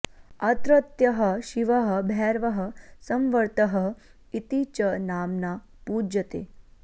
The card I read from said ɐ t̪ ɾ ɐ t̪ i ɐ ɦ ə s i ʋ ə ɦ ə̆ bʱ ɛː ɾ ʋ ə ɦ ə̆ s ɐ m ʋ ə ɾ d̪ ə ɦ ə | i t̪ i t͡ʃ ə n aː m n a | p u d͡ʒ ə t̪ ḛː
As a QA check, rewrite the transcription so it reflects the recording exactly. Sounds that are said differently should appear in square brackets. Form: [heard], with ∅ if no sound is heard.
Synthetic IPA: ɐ t̪ ɾ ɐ t̪ [j] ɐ ɦ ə [ʃ] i ʋ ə ɦ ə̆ bʱ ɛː ɾ ʋ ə ɦ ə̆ s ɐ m ʋ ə ɾ [t̪] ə ɦ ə | i t̪ i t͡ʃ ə n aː m n a | p u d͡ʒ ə t̪ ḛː